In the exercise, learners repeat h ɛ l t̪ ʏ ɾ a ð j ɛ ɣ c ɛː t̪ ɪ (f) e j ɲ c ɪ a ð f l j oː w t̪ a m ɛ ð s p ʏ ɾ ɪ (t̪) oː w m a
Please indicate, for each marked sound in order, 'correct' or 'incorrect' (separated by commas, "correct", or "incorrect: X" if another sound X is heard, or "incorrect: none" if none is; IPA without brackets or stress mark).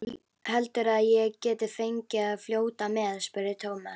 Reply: correct, incorrect: t̪ʰ